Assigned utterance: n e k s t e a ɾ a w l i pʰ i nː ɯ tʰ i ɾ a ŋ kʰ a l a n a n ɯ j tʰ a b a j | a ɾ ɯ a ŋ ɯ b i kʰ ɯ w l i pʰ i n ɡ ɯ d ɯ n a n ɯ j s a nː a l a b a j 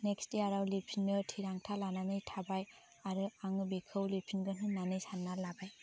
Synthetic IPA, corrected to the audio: n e k s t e a ɾ a w l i pʰ i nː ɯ tʰ i ɾ a ŋ tʰ a l a n a n ɯ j tʰ a b a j | a ɾ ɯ a ŋ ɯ b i kʰ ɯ w l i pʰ i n ɡ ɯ n ɯ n a n ɯ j s a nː a l a b a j